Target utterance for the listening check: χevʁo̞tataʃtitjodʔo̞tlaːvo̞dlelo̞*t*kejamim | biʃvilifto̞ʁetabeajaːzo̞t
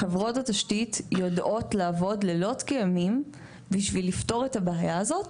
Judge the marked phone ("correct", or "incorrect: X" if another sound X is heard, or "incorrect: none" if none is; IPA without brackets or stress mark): correct